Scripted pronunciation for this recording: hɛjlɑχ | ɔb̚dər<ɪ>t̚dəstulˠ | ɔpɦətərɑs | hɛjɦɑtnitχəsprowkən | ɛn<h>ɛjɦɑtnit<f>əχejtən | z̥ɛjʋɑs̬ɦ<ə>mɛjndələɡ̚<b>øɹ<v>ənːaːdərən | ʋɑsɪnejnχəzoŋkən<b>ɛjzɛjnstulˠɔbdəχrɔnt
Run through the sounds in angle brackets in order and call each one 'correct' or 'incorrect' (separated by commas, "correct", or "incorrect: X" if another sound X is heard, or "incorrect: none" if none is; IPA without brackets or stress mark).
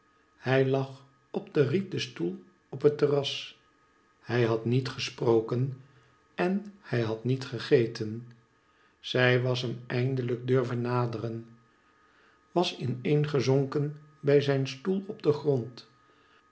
incorrect: i, correct, incorrect: χ, correct, incorrect: d, correct, correct